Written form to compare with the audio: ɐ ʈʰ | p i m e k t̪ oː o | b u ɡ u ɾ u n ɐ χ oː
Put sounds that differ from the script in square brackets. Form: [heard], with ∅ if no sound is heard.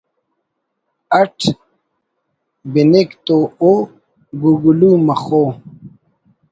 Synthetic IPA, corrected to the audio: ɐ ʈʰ | [b] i [n] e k t̪ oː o | [ɡ] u ɡ u [l] u [m] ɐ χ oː